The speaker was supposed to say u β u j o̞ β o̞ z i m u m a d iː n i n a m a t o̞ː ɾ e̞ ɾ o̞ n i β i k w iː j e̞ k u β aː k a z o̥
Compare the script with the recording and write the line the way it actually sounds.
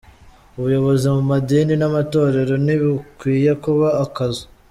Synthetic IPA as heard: u β u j o̞ β o̞ z i m u m a d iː n i n a m a t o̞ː ɾ e̞ ɾ o̞ n i β i k w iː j e̞ k u β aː k a z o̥

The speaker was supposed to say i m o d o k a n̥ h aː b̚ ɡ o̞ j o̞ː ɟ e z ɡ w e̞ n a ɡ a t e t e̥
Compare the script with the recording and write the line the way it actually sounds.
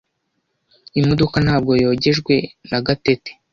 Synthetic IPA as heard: i m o d o k a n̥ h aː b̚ ɡ o̞ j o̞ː ɟ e ʒ ɡ w e̞ n a ɡ a t e t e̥

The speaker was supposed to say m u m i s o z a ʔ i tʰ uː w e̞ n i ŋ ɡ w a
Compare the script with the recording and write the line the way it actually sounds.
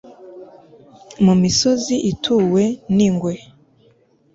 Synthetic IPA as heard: m u m i s o z i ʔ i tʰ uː w e̞ n i ŋ ɡ w e

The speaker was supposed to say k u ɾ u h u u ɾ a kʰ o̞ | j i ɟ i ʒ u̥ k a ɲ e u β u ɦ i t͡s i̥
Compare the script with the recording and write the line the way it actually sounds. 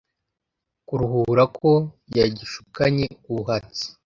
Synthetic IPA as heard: k u ɾ u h u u ɾ a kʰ o̞ | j a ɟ i ʃ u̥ k a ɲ e u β u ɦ a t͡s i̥

